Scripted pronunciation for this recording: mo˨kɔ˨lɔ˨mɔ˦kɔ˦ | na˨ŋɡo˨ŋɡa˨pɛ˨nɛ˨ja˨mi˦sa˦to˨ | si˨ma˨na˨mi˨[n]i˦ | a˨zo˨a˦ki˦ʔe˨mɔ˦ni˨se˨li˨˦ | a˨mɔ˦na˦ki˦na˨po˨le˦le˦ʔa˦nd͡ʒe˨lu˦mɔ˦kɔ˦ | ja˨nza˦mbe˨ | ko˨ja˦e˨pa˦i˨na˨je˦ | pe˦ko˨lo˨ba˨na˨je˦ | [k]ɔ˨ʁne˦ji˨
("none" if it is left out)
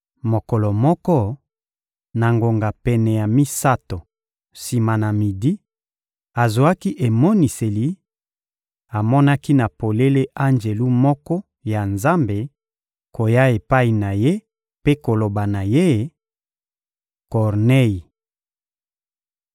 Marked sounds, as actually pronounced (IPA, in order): d, k

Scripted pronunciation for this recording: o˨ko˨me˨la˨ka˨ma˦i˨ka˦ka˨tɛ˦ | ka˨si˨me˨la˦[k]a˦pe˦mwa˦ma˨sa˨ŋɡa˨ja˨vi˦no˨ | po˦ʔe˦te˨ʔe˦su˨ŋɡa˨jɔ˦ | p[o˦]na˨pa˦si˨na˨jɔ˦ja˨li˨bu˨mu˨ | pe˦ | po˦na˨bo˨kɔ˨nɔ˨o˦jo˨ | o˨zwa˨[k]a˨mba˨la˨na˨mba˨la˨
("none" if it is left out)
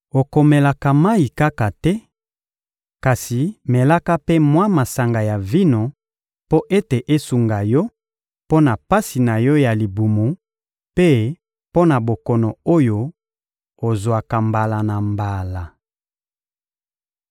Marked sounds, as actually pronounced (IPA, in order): k, o˦, k

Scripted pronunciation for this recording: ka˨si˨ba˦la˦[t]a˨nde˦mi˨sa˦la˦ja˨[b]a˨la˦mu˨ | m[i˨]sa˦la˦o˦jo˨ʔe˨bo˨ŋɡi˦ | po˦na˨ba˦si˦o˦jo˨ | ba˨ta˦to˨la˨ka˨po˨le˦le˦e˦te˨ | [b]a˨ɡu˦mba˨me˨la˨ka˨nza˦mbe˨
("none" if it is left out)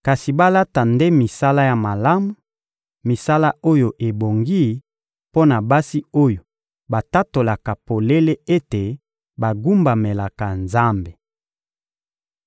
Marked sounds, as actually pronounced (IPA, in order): t, m, i˨, b

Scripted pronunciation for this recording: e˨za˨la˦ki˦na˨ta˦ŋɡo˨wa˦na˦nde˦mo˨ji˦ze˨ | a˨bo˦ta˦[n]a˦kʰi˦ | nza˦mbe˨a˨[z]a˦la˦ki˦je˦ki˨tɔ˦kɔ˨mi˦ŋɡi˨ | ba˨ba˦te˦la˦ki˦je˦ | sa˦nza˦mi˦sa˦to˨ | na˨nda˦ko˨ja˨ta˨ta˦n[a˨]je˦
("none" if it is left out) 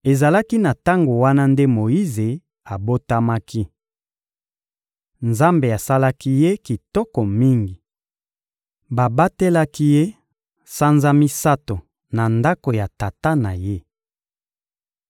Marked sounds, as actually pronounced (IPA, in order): m, s, a˨

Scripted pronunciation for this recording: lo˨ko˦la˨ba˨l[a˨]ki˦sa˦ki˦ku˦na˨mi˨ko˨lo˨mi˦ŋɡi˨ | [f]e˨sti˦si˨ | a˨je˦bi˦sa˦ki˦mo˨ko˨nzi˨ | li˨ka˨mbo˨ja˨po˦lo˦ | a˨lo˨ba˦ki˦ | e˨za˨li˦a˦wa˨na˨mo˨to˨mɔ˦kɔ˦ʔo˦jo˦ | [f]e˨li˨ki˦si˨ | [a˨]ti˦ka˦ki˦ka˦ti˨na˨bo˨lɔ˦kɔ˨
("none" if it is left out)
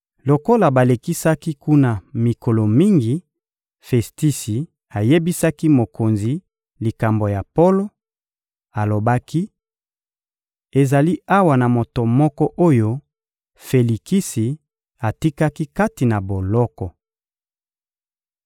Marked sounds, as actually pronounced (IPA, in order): e˨, f, f, a˨

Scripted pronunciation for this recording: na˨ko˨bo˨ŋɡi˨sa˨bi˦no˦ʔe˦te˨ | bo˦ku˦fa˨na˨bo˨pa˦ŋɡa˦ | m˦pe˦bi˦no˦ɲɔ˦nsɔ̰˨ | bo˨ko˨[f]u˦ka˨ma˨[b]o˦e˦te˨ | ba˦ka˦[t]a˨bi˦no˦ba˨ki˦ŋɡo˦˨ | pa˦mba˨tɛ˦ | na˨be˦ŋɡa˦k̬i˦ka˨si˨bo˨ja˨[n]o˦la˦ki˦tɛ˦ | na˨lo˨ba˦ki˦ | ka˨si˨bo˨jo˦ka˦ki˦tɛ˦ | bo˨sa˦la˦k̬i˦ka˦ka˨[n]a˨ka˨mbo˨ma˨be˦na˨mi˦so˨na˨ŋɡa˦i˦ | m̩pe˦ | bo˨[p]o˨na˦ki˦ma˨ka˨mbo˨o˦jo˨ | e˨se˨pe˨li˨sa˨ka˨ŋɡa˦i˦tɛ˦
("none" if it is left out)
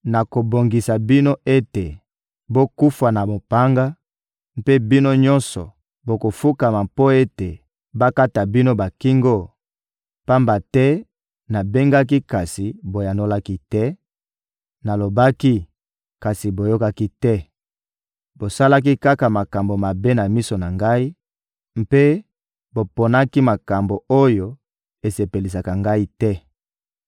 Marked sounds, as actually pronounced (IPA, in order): f, p, t, n, m, p

